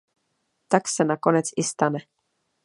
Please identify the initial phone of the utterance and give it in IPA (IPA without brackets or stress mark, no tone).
t̪